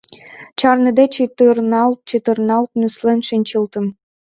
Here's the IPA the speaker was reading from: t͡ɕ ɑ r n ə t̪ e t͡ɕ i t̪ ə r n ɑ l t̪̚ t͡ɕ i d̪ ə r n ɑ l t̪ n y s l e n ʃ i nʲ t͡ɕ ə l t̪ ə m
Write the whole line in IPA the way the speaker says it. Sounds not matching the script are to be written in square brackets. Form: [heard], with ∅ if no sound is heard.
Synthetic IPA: t͡ɕ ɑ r n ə [d̪] e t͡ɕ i t̪ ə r n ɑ l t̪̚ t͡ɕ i [t̪] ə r n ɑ l t̪ n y s l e n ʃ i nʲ t͡ɕ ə l t̪ ə m